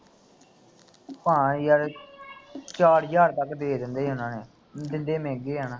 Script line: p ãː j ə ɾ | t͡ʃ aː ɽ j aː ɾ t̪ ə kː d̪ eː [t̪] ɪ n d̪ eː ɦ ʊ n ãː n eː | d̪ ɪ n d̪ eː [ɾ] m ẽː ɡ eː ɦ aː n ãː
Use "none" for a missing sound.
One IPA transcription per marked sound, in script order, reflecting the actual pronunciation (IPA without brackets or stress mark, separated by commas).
d̪, none